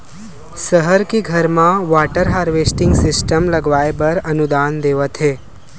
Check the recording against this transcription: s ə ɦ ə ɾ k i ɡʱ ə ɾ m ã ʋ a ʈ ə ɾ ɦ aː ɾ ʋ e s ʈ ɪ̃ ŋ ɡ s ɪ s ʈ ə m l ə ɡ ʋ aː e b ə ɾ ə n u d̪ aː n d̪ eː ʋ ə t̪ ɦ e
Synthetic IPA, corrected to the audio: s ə ɦ ə ɾ k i ɡʱ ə ɾ m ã ʋ a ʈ ə ɾ ɦ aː ɾ ʋ e s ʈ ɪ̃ ŋ ɡ s ɪ s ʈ ə m l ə ɡ ʋ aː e b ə ɾ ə n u d̪ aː n d̪ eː ʋ ə t̪ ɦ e